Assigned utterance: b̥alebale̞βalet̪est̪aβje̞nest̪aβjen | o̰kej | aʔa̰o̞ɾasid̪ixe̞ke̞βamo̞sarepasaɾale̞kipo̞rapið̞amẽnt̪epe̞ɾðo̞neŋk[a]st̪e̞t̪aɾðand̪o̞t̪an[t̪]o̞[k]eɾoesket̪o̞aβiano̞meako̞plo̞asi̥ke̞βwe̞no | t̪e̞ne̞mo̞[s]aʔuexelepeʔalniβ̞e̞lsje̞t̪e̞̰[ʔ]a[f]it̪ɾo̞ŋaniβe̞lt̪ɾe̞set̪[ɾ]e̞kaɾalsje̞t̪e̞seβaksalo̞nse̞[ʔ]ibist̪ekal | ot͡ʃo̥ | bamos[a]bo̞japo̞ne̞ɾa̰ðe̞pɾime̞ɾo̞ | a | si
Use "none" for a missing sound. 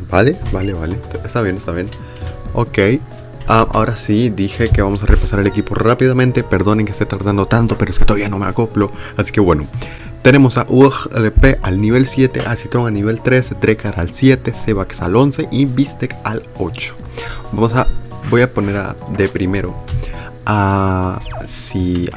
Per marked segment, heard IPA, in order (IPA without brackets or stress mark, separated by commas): e, t̪, p, s, ʔ, s, ɾ, ʔ, a